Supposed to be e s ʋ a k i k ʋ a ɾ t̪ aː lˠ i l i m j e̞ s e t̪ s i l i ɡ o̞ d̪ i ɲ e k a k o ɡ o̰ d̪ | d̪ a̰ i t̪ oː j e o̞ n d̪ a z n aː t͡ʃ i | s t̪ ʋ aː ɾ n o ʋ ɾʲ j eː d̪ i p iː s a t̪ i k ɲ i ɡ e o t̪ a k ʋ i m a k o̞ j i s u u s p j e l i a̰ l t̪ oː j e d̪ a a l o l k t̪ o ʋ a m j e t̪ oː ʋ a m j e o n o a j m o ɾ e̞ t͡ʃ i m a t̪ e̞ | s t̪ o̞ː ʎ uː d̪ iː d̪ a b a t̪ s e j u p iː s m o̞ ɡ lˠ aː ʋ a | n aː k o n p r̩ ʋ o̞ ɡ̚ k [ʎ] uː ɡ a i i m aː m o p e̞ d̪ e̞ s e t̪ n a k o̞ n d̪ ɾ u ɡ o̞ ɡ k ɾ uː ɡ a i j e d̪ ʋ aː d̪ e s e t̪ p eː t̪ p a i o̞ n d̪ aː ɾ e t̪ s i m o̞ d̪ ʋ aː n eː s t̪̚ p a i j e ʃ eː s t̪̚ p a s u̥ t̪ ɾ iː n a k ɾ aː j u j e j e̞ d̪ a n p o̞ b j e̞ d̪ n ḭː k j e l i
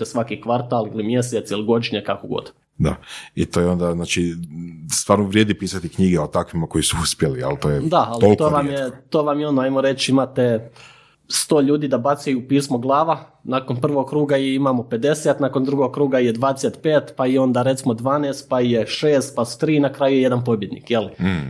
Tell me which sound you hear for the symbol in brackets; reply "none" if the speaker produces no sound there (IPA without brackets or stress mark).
ɾ